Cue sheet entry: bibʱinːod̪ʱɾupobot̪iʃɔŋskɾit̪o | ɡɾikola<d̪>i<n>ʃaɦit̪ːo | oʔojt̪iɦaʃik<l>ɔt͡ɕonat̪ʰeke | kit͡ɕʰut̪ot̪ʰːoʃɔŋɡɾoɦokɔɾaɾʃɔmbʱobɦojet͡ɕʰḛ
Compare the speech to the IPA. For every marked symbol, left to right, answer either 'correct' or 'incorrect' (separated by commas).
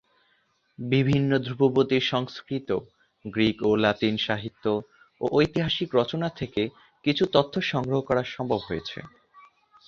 incorrect, correct, incorrect